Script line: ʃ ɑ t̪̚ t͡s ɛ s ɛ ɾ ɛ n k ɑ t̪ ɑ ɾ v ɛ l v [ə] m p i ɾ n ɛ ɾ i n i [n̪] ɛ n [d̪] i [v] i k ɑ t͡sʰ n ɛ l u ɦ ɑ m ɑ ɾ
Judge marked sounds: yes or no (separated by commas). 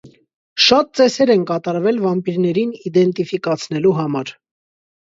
no, no, no, no